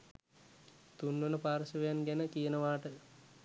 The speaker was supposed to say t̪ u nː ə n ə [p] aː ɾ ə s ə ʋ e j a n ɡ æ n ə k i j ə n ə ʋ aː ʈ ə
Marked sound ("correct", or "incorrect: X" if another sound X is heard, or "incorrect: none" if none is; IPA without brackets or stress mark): correct